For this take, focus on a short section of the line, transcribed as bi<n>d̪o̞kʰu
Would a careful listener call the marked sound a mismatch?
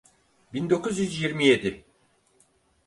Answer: no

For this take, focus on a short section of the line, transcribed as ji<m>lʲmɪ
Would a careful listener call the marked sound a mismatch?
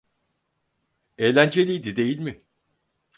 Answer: yes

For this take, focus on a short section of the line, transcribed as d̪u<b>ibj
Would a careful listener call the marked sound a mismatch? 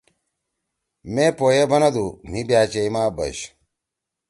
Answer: yes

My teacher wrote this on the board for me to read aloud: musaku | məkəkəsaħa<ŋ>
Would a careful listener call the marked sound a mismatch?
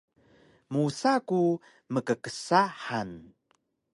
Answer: yes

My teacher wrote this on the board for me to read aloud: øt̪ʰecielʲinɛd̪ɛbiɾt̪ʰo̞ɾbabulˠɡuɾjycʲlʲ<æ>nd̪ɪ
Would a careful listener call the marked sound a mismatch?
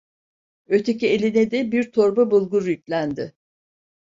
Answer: no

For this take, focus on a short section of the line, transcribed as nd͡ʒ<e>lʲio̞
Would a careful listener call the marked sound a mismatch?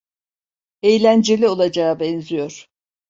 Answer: no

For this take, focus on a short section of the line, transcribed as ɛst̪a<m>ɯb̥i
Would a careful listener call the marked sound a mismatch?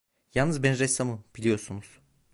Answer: no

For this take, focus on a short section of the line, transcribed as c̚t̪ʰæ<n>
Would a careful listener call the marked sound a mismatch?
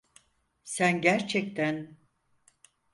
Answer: no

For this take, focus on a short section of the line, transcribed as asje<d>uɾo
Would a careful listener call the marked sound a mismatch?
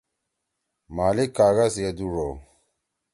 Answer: no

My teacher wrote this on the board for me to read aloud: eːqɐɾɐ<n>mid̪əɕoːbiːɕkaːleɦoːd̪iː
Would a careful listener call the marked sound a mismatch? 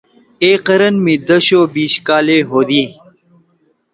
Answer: no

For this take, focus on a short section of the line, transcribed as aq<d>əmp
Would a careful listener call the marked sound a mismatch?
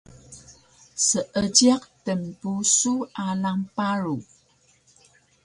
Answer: yes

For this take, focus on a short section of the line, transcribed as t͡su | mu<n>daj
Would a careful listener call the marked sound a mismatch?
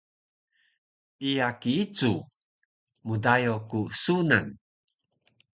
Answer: yes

